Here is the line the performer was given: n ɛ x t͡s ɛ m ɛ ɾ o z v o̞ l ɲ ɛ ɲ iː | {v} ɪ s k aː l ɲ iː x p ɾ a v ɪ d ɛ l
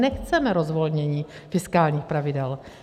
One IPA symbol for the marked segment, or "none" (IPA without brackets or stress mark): f